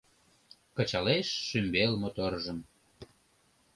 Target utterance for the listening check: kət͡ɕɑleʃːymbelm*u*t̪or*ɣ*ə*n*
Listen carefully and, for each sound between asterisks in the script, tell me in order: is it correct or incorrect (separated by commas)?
incorrect, incorrect, incorrect